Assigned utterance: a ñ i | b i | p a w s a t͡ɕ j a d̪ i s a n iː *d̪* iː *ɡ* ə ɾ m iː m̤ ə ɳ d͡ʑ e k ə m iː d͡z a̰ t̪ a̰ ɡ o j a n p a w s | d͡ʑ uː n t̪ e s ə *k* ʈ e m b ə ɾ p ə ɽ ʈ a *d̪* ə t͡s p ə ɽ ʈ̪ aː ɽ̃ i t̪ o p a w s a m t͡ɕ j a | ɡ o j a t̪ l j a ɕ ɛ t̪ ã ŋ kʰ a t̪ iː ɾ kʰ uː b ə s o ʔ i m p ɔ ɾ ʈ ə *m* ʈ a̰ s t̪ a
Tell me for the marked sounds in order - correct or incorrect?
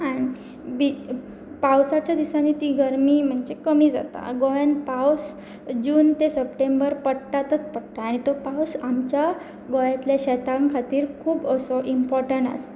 incorrect: t̪, correct, incorrect: p, incorrect: t̪, incorrect: ɳ

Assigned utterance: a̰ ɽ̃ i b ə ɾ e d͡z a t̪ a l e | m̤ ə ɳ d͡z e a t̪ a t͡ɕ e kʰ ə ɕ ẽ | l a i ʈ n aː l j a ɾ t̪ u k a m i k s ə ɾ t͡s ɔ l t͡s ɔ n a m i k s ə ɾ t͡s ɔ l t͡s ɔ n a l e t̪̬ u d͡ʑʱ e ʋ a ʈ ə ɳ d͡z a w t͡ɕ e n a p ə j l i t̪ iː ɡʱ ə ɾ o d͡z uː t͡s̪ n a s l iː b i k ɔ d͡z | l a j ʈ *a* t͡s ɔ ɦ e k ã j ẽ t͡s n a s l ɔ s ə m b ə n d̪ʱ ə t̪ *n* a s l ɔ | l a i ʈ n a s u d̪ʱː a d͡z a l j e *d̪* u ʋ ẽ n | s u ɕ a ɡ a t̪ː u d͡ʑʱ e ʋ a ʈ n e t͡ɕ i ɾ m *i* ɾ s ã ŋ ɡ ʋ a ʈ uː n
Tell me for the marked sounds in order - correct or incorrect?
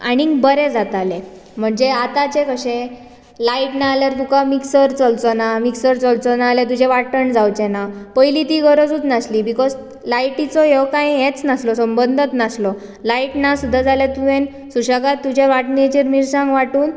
incorrect: i, correct, incorrect: t̪, correct

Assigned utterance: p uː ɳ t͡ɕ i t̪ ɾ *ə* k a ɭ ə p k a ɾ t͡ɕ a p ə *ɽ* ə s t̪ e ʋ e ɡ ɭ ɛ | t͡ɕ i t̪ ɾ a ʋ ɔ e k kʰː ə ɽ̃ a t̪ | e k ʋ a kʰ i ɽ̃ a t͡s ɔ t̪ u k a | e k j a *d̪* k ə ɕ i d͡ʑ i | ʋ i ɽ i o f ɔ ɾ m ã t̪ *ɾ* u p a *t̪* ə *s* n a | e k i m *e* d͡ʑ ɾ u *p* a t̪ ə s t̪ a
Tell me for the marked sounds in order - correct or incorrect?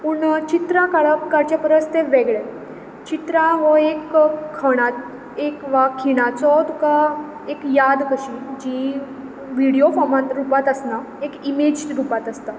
incorrect: a, incorrect: ɾ, correct, correct, correct, correct, correct, correct

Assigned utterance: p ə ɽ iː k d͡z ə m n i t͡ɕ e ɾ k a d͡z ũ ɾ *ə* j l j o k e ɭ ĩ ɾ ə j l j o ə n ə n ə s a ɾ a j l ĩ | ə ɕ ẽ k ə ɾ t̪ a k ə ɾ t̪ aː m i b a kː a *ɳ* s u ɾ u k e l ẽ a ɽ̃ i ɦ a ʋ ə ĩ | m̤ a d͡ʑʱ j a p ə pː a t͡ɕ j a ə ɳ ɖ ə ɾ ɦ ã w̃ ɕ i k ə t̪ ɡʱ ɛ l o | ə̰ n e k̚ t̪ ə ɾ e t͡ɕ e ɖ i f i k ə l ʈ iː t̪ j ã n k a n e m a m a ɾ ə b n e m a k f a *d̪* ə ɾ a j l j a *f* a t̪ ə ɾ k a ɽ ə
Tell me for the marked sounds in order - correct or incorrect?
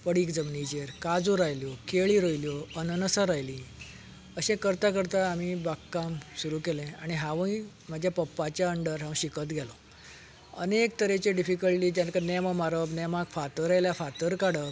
incorrect: a, incorrect: m, incorrect: t̪, correct

